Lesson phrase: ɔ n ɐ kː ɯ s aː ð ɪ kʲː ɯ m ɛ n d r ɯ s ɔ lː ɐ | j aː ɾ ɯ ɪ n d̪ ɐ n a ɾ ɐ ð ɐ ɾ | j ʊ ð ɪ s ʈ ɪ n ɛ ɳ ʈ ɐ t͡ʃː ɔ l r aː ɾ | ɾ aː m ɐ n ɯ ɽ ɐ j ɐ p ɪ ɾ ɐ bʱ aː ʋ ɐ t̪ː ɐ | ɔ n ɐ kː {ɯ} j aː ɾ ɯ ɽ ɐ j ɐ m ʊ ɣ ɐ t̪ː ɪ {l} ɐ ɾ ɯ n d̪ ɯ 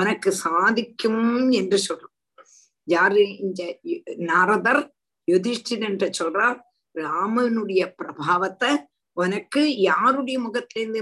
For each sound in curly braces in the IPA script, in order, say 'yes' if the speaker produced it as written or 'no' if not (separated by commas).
yes, yes